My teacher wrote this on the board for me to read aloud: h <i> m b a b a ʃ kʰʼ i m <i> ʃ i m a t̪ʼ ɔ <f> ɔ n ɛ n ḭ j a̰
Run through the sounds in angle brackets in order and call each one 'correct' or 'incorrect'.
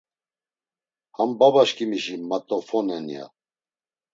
incorrect, correct, correct

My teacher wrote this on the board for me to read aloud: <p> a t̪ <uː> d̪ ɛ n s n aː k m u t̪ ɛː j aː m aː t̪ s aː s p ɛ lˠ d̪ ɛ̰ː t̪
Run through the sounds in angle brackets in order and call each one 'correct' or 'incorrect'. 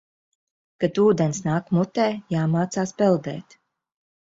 incorrect, correct

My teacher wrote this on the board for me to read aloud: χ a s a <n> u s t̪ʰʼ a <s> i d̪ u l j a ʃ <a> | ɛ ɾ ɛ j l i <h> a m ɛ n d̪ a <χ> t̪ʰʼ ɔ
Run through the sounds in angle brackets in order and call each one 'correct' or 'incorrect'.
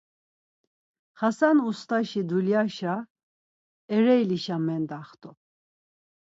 correct, incorrect, correct, incorrect, correct

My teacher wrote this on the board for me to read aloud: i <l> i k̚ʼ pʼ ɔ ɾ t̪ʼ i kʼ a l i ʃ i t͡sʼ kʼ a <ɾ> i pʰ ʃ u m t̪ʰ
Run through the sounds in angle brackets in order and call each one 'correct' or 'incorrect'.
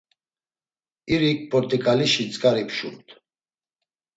incorrect, correct

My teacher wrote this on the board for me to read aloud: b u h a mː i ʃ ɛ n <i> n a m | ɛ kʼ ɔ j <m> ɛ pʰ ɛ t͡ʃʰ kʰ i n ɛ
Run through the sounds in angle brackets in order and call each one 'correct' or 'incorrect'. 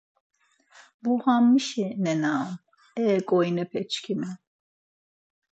incorrect, incorrect

